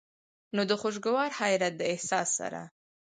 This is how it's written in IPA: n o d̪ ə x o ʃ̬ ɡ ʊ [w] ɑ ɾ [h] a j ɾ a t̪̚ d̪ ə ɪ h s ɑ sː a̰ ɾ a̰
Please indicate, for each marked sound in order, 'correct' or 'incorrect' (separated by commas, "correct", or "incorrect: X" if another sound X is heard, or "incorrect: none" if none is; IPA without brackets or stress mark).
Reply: correct, correct